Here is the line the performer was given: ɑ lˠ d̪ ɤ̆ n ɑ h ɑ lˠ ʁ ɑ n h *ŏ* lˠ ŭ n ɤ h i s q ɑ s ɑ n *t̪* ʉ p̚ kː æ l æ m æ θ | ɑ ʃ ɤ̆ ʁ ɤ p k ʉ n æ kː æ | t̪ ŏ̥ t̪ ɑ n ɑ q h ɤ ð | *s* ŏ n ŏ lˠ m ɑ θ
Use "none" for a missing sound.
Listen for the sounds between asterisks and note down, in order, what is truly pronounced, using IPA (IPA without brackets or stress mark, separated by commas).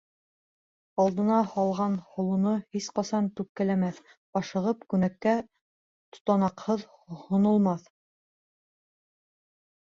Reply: ŏ, t̪, h